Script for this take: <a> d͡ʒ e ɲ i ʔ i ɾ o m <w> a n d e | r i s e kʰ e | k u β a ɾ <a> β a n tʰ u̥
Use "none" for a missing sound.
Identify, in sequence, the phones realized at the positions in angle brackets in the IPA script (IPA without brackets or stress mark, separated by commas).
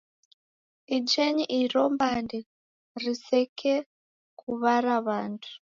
i, b, a